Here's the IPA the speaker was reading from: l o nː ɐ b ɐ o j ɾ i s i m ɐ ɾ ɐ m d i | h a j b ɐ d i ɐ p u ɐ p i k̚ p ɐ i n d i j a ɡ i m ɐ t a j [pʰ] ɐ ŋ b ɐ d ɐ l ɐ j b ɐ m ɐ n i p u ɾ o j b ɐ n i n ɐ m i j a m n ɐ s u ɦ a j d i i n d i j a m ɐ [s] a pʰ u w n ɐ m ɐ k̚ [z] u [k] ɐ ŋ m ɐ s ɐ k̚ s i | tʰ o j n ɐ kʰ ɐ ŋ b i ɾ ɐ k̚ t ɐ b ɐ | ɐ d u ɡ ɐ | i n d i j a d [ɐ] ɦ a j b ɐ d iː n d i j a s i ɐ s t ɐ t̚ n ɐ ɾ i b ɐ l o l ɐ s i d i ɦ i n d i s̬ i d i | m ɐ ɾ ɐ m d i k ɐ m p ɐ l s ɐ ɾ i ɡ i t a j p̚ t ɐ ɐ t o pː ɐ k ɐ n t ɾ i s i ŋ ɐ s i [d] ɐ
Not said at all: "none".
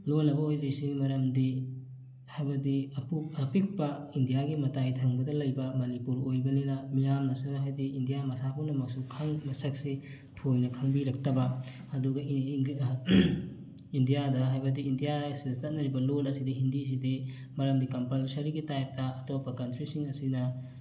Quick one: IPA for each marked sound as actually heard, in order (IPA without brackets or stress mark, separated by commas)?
tʰ, s, s, kʰ, ɐ, n